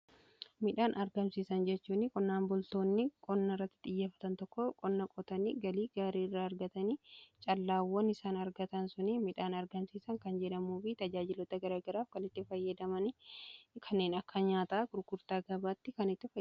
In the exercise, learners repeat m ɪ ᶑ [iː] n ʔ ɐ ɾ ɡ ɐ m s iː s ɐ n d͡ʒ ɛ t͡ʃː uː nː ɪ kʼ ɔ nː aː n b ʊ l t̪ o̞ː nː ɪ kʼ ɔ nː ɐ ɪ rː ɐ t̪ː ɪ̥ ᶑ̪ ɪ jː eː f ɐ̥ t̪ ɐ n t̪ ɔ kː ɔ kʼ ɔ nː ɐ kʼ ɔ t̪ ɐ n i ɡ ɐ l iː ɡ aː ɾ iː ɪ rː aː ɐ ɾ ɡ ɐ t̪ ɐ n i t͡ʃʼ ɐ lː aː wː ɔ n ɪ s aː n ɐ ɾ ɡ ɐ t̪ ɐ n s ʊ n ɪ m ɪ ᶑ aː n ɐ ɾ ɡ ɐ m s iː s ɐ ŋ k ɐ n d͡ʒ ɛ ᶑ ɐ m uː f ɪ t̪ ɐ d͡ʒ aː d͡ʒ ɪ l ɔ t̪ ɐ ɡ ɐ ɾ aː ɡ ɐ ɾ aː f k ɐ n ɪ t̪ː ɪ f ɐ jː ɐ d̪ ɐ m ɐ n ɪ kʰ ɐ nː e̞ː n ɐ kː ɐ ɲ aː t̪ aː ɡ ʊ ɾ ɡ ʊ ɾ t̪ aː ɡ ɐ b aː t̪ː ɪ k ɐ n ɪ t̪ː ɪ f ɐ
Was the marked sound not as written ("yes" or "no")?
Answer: yes